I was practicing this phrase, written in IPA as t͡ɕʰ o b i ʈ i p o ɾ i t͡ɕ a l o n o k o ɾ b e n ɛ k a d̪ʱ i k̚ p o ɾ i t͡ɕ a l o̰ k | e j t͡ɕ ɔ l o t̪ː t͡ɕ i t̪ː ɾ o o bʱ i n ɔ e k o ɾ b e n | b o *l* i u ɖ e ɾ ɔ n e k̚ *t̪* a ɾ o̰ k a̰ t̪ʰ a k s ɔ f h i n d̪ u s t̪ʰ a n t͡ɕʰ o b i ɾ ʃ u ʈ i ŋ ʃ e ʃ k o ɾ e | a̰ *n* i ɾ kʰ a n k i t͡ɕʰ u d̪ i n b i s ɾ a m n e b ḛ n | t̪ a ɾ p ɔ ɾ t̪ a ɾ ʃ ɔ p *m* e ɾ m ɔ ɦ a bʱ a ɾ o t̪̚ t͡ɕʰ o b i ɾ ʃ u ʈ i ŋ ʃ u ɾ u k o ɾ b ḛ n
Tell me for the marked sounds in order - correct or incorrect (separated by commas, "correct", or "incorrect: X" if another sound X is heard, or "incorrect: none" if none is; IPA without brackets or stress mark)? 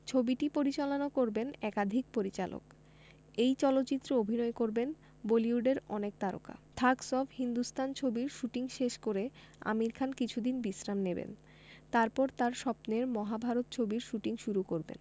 correct, correct, incorrect: m, incorrect: n